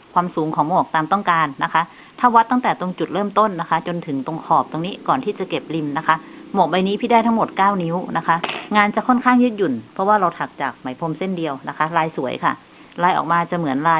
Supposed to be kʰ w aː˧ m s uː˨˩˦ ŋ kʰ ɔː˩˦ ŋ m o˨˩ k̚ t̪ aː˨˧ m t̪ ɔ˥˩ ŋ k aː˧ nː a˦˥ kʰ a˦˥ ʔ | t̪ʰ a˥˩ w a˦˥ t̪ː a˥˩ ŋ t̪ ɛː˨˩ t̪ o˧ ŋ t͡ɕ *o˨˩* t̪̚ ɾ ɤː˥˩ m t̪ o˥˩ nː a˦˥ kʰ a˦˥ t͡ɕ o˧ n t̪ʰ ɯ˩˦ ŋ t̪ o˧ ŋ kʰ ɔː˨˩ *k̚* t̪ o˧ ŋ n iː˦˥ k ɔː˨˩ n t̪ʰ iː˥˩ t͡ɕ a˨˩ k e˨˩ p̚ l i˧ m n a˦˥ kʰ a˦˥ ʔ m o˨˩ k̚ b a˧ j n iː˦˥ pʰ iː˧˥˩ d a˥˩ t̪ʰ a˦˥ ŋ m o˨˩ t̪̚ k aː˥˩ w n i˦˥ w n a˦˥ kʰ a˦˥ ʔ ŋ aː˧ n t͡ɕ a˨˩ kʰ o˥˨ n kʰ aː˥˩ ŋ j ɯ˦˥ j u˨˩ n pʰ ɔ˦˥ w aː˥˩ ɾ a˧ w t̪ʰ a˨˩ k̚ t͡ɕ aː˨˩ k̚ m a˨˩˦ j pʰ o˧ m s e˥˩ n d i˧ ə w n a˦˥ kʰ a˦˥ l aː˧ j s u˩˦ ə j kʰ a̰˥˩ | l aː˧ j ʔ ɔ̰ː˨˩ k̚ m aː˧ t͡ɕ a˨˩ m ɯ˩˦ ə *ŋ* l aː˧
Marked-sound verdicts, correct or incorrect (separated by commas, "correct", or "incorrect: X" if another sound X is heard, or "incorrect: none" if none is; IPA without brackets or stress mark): incorrect: u˨˩, incorrect: p̚, incorrect: n